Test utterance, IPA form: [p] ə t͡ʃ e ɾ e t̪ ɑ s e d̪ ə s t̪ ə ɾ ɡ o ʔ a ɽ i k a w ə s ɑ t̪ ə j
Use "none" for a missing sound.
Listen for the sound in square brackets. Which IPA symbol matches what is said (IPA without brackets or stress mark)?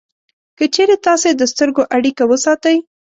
k